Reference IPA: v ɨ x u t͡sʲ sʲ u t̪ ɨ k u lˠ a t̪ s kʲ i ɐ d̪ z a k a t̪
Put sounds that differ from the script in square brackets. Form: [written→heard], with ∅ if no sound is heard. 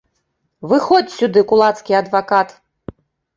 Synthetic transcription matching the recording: v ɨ x [u→ɔ] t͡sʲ sʲ u [t̪→d̪] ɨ k u lˠ a t̪ s kʲ i ɐ d̪ [z→v] a k a t̪

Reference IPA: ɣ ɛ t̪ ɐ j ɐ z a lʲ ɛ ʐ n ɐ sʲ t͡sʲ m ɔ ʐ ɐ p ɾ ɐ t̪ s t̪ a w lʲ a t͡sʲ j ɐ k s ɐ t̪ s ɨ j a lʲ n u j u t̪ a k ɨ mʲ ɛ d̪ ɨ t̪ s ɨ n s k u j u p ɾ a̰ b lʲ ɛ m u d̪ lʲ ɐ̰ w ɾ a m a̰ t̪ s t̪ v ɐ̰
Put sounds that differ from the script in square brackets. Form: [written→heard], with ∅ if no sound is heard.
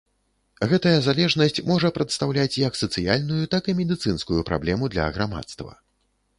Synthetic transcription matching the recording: ɣ ɛ t̪ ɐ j ɐ z a lʲ ɛ ʐ n ɐ sʲ t͡sʲ m ɔ ʐ ɐ p ɾ ɐ t̪ s t̪ a w lʲ a t͡sʲ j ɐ k s ɐ t̪ s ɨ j a lʲ n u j u t̪ a k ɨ mʲ ɛ d̪ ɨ t̪ s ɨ n s k u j u p ɾ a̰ b lʲ ɛ m u d̪ lʲ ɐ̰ [w→ɣ] ɾ a m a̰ t̪ s t̪ v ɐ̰

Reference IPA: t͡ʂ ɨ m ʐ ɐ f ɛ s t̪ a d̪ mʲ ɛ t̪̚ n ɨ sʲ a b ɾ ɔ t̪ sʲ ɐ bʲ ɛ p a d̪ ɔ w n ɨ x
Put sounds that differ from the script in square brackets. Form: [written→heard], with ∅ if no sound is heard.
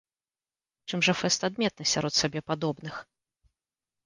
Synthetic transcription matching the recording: t͡ʂ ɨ m ʐ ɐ f ɛ s t̪ a d̪ mʲ ɛ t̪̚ n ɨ sʲ a [b→∅] ɾ ɔ t̪ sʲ [ɐ→a] bʲ ɛ p a d̪ ɔ [w→b] n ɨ x

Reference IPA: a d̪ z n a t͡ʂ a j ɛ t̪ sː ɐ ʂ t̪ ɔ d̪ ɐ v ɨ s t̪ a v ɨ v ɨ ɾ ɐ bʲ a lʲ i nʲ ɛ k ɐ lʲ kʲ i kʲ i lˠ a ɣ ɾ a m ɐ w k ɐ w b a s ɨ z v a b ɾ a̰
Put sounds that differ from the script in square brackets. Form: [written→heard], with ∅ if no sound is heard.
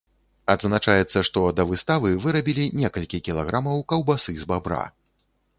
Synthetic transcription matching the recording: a d̪ z n a t͡ʂ a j ɛ t̪ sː ɐ ʂ t̪ ɔ d̪ ɐ v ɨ s t̪ a v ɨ v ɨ ɾ ɐ bʲ [a→i] lʲ i nʲ ɛ k ɐ lʲ kʲ i kʲ i lˠ a ɣ ɾ a m ɐ w k ɐ w b a s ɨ z [v→b] a b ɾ a̰

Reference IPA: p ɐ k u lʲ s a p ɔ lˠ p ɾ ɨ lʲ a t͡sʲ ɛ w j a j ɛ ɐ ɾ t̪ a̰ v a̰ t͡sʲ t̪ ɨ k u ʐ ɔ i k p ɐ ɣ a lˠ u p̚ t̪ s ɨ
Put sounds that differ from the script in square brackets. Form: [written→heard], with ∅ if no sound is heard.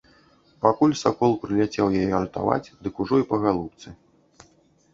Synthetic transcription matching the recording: p [ɐ→a] k u lʲ s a [p→k] ɔ lˠ p ɾ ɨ lʲ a t͡sʲ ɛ w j a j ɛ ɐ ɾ t̪ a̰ v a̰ t͡sʲ [t̪→d̪] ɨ k u ʐ ɔ i [k→∅] p ɐ ɣ a lˠ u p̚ t̪ s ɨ

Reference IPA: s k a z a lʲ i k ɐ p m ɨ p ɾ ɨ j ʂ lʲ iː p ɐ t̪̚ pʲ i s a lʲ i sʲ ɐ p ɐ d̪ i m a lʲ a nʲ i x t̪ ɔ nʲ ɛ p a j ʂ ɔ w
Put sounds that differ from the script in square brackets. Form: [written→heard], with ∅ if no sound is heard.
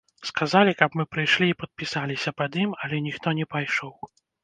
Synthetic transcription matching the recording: s k a z a lʲ i k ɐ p m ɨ p ɾ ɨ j ʂ lʲ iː p ɐ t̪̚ pʲ i s a lʲ i sʲ ɐ p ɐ d̪ i m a lʲ [a→ɛ] nʲ i x t̪ ɔ nʲ ɛ p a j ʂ ɔ w

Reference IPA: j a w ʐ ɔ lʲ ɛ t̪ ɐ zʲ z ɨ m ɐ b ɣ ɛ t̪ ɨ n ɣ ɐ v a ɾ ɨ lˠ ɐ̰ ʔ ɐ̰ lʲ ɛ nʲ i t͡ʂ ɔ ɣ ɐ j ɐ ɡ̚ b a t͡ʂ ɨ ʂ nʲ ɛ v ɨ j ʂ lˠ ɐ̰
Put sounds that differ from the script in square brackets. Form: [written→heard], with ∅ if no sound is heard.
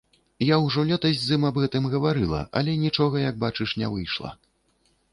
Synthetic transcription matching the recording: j a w ʐ ɔ lʲ ɛ t̪ ɐ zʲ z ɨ m ɐ b ɣ ɛ t̪ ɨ [n→m] ɣ ɐ v a ɾ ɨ lˠ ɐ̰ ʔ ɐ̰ lʲ ɛ nʲ i t͡ʂ ɔ ɣ ɐ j ɐ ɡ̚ b a t͡ʂ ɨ ʂ nʲ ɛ v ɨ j ʂ lˠ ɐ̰

